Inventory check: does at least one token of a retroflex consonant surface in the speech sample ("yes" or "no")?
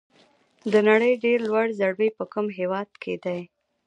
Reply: yes